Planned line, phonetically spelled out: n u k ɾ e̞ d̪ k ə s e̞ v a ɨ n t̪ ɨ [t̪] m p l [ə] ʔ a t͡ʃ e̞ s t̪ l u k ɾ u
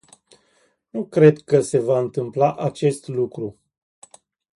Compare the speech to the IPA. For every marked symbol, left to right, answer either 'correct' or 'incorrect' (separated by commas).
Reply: incorrect, incorrect